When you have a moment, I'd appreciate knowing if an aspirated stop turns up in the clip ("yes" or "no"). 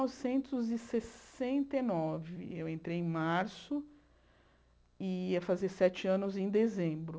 no